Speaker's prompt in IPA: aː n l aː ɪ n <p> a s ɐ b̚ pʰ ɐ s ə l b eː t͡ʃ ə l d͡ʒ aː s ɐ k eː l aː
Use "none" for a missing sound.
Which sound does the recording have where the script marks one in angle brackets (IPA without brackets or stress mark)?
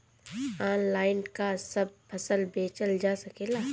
k